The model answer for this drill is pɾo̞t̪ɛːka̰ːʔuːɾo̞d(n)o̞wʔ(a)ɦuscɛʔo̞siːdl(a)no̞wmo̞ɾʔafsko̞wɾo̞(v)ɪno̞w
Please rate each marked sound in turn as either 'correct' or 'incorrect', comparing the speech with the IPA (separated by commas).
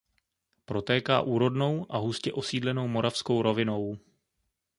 correct, correct, incorrect, correct